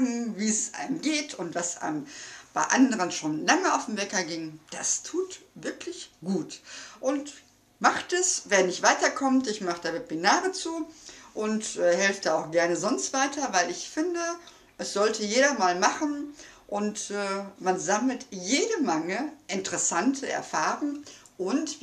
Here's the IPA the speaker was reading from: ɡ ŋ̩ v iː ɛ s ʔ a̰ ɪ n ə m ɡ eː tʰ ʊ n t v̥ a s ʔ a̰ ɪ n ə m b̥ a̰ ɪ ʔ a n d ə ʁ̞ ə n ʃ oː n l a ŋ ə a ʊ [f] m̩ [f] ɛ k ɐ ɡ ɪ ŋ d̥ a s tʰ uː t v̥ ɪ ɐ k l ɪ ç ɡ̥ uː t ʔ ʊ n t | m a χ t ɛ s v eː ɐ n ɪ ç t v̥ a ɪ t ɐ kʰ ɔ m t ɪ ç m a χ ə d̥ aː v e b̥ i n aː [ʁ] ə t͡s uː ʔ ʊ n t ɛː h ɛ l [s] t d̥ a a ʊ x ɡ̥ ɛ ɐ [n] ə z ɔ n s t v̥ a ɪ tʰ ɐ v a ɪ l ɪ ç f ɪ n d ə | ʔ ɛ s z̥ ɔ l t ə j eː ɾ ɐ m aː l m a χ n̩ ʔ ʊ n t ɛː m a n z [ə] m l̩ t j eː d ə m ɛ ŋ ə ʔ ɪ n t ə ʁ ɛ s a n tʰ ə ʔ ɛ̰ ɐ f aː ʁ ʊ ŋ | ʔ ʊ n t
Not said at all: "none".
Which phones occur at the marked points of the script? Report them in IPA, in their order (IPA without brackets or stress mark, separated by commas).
f, v, ʁ, f, n, a